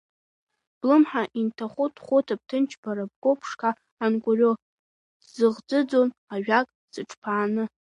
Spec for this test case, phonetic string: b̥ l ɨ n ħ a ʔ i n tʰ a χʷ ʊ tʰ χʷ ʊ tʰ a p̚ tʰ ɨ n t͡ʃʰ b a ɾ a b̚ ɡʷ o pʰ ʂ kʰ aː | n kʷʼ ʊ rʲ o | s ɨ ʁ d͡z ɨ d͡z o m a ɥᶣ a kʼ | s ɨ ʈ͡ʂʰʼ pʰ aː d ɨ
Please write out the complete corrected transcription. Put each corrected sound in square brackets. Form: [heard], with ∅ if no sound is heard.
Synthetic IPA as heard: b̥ l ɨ [m] ħ a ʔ i n tʰ a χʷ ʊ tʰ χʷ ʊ tʰ a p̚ tʰ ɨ n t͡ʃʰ b a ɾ a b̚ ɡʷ o pʰ ʂ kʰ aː | n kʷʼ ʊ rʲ o | [z] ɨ ʁ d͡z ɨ d͡z o [n] a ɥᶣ a kʼ | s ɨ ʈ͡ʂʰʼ pʰ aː [n] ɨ